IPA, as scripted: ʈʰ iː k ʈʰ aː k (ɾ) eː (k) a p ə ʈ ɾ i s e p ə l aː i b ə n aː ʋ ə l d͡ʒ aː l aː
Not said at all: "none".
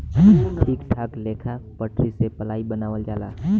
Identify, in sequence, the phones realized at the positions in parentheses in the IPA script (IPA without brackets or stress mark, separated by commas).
l, kʰ